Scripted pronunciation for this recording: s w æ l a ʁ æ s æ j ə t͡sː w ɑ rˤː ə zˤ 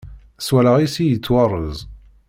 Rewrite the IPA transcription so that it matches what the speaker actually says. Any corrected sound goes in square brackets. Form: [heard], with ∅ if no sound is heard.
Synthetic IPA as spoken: s w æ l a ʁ [i] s [i] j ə t͡sː w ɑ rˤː ə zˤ